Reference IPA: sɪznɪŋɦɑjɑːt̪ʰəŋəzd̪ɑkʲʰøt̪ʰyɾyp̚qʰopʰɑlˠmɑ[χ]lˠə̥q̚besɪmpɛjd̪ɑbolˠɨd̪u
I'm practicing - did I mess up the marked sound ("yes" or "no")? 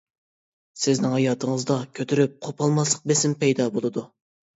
yes